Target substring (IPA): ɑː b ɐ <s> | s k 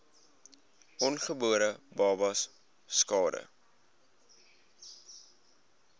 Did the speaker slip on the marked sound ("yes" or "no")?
no